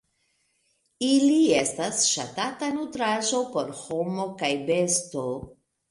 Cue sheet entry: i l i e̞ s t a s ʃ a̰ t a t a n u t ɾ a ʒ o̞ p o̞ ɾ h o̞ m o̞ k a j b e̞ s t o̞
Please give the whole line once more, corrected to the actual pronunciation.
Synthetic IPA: i l i e̞ s t a s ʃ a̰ t a t a n u t ɾ a ʒ o̞ p o̞ ɾ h o̞ m o̞ k a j b e̞ s t o̞